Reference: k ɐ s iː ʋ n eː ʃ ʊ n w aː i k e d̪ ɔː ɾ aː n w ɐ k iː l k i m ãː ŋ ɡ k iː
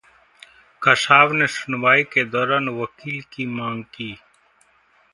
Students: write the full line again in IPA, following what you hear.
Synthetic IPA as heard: k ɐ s aː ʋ n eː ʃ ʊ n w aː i k e d̪ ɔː ɾ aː n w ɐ k iː l k i m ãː ŋ ɡ k iː